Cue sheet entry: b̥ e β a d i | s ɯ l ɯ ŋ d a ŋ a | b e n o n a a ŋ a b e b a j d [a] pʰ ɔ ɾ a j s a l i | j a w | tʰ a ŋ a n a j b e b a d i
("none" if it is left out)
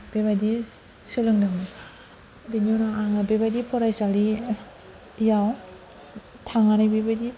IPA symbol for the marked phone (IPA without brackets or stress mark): i